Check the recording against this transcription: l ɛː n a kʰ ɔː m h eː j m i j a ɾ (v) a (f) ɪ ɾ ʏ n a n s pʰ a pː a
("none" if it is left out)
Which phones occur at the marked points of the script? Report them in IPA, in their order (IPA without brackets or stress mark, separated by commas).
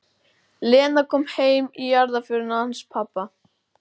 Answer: ð, f